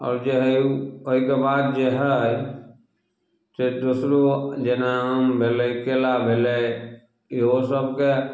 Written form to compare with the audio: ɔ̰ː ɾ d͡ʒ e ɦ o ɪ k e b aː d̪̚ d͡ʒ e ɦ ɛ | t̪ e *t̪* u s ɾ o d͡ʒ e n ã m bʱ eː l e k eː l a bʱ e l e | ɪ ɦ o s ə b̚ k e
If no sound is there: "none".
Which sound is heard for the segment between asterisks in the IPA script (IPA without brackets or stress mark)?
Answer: d̪